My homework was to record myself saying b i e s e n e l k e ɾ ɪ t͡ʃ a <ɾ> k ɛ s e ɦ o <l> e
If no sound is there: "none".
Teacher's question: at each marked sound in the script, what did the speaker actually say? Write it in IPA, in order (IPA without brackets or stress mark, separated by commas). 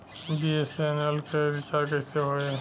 ɾ, none